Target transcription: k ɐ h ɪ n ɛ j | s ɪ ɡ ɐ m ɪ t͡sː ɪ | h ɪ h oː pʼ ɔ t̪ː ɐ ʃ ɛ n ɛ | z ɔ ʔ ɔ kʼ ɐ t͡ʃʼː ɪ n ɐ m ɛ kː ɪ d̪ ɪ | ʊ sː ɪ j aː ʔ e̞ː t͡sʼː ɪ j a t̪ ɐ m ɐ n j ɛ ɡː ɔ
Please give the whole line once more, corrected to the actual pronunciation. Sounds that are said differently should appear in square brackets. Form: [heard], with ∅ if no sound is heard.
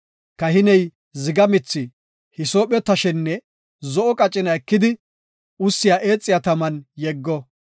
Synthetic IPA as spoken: k ɐ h ɪ n ɛ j | [z] ɪ ɡ ɐ m ɪ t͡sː ɪ | h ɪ [s] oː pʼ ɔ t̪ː ɐ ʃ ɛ [nː] ɛ | z ɔ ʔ ɔ kʼ ɐ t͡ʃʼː ɪ n ɐ [∅] ɛ kː ɪ d̪ ɪ | ʊ sː ɪ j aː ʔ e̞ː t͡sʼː ɪ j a t̪ ɐ m ɐ n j ɛ ɡː ɔ